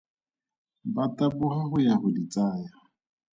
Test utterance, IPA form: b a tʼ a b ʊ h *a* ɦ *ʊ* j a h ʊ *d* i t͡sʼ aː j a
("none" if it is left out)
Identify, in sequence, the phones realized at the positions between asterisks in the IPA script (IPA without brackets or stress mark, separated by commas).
a, ʊ, d